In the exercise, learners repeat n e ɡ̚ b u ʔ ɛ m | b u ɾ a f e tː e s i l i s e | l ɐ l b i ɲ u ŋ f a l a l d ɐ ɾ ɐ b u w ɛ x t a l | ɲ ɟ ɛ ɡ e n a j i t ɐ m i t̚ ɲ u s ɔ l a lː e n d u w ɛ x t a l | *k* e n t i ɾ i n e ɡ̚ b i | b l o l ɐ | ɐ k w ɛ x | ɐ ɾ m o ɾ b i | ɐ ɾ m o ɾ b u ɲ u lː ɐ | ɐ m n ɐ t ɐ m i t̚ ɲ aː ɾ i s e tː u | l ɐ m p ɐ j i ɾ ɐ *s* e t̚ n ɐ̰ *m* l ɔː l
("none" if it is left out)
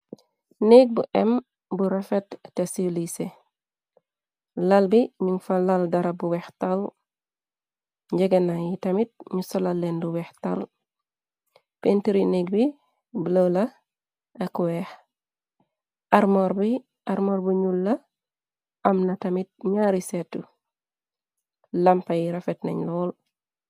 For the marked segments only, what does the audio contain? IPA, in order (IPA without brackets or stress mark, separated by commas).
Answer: p, f, ɲ